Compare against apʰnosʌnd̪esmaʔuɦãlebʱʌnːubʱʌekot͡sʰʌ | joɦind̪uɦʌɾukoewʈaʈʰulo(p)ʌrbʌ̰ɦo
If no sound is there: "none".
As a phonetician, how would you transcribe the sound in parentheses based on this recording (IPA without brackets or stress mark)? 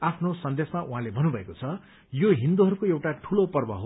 p